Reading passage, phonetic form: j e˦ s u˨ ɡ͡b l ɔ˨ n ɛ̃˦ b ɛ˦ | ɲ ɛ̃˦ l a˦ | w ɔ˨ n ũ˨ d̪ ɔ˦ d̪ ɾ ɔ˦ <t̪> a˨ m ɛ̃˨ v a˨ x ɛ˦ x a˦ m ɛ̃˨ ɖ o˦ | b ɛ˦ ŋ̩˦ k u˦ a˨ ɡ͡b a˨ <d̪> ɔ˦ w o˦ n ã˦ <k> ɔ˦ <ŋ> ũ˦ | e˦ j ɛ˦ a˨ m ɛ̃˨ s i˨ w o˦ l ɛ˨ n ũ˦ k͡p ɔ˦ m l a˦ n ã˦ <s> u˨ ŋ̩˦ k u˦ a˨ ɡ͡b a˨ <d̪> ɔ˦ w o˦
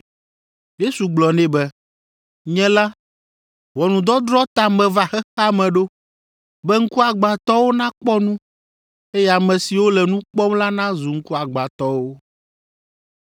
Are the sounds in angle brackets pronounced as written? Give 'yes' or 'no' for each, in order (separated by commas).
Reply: yes, no, no, no, no, no